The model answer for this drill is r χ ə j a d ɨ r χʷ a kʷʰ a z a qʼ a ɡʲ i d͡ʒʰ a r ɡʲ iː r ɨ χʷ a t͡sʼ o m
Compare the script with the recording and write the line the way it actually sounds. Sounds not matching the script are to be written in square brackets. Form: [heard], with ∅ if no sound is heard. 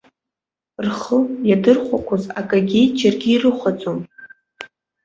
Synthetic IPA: r χ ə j a d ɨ r χʷ a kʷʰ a z a [kʼ] a ɡʲ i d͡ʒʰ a r ɡʲ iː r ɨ χʷ a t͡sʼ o m